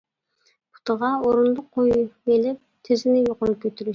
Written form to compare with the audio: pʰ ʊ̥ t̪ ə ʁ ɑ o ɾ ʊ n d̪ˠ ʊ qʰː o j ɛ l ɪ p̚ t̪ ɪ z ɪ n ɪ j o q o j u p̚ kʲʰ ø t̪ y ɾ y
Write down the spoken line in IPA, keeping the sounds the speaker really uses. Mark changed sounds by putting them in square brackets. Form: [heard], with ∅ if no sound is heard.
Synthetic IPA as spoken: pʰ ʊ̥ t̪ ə ʁ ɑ o ɾ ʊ n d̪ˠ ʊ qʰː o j [e] l ɪ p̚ [t̪ʰ] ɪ z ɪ n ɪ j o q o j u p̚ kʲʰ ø t̪ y ɾ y